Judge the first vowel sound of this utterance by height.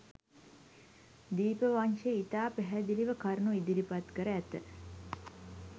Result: high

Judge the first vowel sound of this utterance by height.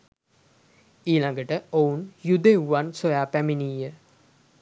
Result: high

